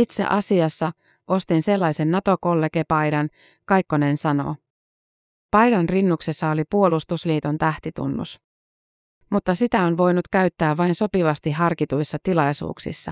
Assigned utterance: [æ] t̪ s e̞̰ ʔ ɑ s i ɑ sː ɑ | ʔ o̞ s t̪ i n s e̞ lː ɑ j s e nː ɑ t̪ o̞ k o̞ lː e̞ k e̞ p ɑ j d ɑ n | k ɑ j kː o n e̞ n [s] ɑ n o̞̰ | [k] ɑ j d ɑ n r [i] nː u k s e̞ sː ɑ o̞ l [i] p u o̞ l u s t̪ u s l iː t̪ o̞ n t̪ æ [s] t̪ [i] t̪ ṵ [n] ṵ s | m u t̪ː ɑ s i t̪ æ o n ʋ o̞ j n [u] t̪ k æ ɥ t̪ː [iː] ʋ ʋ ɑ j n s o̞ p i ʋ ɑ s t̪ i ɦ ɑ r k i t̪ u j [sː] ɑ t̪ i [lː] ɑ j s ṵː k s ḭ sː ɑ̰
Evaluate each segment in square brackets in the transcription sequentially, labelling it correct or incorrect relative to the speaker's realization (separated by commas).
incorrect, correct, incorrect, correct, correct, incorrect, correct, incorrect, correct, incorrect, correct, incorrect